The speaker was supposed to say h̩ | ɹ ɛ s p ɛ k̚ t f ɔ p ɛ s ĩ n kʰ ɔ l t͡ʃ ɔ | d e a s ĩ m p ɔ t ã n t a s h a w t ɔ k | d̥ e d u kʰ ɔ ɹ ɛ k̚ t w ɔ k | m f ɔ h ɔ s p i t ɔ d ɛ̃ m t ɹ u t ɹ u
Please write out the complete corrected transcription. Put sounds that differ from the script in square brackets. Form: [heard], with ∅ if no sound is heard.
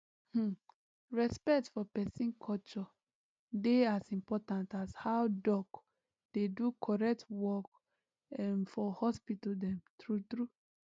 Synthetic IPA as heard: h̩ | ɹ ɛ s p ɛ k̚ t f ɔ p ɛ s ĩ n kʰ ɔ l t͡ʃ ɔ | d e a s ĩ m p ɔ t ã n t a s h a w [d] ɔ k | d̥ e d u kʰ ɔ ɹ ɛ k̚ t w ɔ k | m f ɔ h ɔ s p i t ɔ d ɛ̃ m t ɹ u t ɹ u